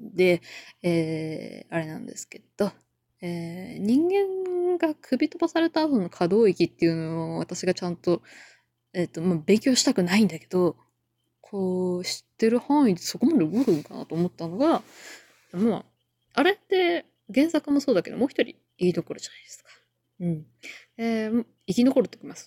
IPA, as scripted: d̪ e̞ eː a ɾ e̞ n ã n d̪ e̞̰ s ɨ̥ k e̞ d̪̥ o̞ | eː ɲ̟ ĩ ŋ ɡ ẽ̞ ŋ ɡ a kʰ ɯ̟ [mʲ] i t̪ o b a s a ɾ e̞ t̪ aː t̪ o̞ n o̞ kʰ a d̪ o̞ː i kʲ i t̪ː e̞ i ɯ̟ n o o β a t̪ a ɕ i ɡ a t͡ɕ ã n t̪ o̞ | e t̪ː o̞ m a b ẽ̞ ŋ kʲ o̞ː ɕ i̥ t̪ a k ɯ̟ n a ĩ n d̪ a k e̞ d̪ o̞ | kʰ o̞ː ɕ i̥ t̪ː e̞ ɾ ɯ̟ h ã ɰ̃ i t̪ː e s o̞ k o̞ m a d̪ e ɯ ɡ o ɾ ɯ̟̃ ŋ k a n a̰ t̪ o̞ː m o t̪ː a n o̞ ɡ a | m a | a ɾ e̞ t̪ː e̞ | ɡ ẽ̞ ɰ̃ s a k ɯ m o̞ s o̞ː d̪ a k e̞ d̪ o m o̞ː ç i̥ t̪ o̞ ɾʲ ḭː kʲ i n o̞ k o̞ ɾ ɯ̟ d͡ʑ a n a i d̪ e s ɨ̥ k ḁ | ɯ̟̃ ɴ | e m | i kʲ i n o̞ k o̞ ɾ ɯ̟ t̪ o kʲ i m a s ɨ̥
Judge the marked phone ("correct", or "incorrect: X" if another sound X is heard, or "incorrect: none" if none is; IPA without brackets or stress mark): incorrect: bʲ